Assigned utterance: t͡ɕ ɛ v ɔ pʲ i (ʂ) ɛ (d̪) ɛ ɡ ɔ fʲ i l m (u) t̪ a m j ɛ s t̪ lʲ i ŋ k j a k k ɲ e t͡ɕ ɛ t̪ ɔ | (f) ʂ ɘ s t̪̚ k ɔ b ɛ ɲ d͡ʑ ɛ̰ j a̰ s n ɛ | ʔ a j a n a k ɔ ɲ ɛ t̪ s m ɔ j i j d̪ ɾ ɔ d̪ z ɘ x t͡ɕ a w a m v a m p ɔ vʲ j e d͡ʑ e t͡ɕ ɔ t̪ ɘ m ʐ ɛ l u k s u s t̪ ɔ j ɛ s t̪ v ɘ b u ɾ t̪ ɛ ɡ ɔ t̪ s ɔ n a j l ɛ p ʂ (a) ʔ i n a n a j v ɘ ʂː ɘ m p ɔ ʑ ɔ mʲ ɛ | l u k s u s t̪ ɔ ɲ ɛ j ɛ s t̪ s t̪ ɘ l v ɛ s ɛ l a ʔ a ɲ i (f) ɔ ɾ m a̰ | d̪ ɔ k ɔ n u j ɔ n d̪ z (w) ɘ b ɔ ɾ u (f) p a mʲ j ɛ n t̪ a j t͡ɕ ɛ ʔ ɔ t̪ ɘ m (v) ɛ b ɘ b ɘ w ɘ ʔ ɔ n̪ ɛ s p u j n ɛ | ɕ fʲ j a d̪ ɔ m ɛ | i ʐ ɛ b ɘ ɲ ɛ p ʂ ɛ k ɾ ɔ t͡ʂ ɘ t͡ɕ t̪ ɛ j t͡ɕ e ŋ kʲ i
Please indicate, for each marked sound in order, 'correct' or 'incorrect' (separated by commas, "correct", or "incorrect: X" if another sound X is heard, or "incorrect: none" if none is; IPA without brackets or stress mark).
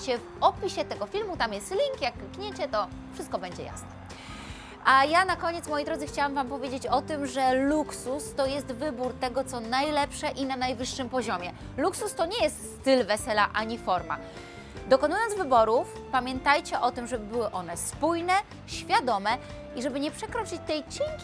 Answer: incorrect: ɕ, incorrect: t̪, correct, correct, incorrect: ɛ, correct, incorrect: v, correct, incorrect: ʐ